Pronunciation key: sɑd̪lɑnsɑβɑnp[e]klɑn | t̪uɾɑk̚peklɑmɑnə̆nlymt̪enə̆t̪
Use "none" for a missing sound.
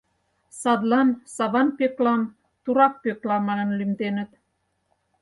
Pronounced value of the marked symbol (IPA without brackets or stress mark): e